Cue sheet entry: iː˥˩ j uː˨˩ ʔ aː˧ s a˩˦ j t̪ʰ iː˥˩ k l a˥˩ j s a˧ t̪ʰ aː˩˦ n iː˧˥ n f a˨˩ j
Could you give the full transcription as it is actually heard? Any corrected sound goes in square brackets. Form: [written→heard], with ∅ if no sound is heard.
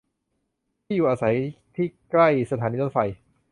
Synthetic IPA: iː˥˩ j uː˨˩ ʔ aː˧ s a˩˦ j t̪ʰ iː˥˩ k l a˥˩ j s a˧ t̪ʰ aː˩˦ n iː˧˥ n f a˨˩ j

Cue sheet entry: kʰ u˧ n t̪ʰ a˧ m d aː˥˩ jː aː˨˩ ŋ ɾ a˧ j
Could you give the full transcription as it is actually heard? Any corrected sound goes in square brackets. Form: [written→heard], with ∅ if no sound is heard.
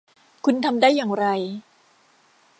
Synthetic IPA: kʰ u˧ n t̪ʰ a˧ m d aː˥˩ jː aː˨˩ ŋ ɾ a˧ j

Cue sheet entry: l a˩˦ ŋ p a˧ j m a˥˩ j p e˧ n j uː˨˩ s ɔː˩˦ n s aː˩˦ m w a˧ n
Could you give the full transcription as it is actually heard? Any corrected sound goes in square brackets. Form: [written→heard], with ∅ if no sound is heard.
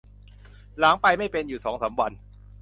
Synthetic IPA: l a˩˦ ŋ p a˧ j m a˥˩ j p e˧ n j uː˨˩ s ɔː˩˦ [n→ŋ] s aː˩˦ m w a˧ n

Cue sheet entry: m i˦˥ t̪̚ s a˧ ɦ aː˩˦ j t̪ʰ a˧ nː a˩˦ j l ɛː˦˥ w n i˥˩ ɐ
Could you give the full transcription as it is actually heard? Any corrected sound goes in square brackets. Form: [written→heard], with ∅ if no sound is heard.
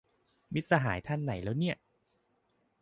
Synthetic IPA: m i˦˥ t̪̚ s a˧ ɦ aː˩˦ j t̪ʰ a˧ nː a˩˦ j l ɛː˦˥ w n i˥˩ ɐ

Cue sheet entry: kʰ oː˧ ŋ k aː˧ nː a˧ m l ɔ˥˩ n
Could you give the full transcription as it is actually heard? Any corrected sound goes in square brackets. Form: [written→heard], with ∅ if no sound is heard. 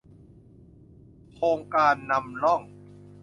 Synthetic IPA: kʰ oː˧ ŋ k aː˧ nː a˧ m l ɔ˥˩ [n→ŋ]

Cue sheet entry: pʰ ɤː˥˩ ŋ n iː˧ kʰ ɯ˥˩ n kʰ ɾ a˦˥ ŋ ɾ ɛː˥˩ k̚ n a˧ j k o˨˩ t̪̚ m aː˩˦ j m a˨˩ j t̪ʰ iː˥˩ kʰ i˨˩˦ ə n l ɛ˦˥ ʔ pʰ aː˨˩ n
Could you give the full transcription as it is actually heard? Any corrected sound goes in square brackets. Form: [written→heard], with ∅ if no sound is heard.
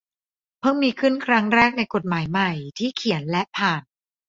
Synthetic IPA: pʰ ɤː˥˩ ŋ [n→m] iː˧ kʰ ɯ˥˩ n kʰ ɾ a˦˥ ŋ ɾ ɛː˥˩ k̚ n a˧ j k o˨˩ t̪̚ m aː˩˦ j m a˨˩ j t̪ʰ iː˥˩ kʰ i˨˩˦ ə n l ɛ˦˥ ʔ pʰ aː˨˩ n

